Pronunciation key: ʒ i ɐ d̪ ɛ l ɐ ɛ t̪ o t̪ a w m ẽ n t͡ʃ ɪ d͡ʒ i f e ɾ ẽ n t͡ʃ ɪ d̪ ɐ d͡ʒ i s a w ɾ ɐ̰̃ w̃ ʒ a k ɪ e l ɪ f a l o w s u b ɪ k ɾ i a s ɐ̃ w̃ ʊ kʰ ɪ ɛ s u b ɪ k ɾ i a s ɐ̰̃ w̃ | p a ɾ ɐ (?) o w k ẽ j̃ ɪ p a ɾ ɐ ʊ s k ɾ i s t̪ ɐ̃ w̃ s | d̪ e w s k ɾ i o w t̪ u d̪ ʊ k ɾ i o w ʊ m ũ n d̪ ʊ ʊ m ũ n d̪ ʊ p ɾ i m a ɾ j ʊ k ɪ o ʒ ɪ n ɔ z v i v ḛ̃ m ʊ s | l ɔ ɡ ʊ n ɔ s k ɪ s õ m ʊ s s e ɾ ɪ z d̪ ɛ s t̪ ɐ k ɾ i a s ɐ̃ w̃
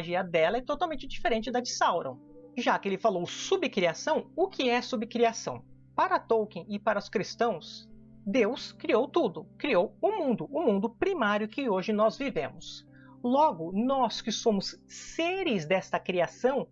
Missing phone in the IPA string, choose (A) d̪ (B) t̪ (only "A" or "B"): B